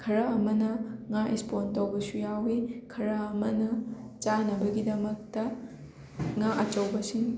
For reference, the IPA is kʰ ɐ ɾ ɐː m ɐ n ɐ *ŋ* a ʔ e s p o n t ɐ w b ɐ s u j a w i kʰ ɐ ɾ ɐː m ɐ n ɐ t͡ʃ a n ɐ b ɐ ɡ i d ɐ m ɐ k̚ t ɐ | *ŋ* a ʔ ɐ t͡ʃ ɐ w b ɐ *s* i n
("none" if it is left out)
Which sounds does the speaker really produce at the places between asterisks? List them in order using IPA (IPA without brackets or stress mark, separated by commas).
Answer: ŋ, ŋ, s